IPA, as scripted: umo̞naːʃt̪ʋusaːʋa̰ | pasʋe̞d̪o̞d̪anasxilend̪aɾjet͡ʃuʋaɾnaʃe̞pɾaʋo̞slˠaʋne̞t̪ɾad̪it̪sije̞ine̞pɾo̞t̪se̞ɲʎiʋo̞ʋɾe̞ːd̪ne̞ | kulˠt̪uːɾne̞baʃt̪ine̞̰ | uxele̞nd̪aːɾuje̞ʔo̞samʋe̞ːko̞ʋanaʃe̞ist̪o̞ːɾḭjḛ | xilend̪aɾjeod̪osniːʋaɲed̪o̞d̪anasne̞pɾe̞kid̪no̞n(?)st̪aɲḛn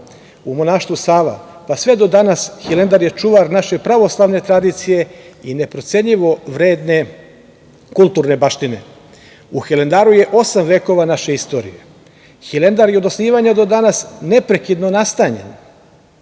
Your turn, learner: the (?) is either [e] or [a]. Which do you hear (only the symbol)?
a